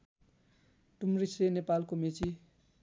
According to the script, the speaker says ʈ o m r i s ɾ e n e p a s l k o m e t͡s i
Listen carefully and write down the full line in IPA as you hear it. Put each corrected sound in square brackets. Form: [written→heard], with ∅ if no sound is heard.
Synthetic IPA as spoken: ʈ [o→u] m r i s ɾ e n e p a [s→∅] l k o m e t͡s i